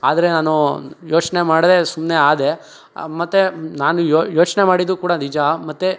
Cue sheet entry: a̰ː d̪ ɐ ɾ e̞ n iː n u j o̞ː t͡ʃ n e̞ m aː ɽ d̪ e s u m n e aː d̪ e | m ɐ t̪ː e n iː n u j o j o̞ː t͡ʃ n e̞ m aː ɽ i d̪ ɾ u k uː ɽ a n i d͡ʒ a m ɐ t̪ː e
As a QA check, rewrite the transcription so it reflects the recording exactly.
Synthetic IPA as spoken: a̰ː d̪ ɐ ɾ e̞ n aː n u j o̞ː t͡ʃ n e̞ m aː ɽ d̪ e s u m n e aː d̪ e | m ɐ t̪ː e n aː n u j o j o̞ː t͡ʃ n e̞ m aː ɽ i d̪ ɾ u k uː ɽ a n i d͡ʒ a m ɐ t̪ː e